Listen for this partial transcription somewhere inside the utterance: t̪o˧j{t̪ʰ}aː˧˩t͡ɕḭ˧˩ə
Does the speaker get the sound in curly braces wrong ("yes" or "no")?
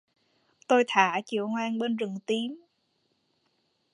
no